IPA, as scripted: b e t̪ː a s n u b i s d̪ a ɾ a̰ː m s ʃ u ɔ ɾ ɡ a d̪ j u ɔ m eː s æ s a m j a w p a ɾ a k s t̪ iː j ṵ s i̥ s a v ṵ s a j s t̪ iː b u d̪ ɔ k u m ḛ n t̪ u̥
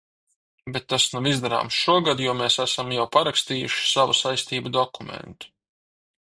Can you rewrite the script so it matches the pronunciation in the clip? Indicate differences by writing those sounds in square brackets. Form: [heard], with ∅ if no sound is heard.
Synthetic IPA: b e t̪ː a s n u [v] i [z] d̪ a ɾ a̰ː m s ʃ u ɔ [∅] ɡ a d̪ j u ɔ m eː s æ s a m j a w p a ɾ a k s t̪ iː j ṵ [ʃ] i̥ s a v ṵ s a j s t̪ iː b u d̪ ɔ k u m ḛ n t̪ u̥